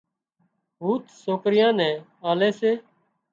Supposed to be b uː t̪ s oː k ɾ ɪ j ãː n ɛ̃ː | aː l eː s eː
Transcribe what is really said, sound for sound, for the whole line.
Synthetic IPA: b uː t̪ s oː k ɾ ɪ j ãː n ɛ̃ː | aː l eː s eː